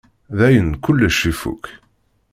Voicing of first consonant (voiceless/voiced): voiced